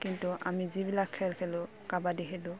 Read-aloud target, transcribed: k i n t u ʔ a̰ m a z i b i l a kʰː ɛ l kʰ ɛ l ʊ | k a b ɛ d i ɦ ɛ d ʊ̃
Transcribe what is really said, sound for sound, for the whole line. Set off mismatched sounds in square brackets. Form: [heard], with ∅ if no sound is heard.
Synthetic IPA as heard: k i n t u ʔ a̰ m [i] z i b i l a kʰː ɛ l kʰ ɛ l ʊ | k a b [a] d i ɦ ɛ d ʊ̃